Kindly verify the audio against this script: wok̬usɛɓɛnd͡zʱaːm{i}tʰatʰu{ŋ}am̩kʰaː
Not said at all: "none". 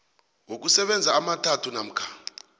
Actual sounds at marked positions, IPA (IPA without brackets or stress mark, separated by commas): a, n